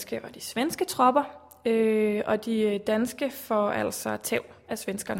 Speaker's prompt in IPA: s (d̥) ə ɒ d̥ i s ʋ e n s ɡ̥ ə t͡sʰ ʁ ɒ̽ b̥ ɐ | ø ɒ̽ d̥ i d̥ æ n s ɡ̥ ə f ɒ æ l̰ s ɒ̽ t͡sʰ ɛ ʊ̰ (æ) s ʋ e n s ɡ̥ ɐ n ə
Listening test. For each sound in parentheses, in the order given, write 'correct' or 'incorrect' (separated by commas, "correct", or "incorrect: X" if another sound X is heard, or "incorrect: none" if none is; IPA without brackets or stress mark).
incorrect: ɡ̥, correct